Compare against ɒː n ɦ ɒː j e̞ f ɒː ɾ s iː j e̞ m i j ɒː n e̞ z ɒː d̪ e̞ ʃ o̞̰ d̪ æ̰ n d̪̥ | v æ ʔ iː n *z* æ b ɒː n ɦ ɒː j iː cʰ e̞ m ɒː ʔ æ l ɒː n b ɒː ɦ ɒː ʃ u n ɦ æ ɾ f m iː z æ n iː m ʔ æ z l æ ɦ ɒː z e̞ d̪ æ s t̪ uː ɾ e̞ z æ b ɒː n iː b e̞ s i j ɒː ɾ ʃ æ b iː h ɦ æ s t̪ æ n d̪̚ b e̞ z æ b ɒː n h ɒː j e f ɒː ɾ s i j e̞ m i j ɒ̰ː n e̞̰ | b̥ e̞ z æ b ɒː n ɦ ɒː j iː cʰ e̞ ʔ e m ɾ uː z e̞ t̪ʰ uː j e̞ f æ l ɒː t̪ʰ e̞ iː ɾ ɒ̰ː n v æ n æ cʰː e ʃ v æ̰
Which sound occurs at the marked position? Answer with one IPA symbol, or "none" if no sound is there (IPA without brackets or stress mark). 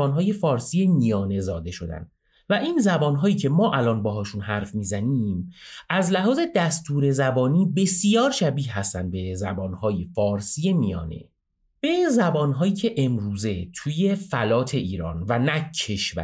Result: z